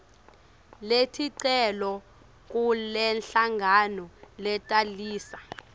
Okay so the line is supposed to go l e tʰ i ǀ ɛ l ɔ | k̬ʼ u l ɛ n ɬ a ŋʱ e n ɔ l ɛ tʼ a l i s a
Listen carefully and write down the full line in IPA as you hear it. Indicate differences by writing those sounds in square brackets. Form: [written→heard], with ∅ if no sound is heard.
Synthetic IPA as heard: l e tʰ i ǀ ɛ l ɔ | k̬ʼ u l ɛ n ɬ a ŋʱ [e→a] n ɔ l ɛ tʼ a l [i→iː] s a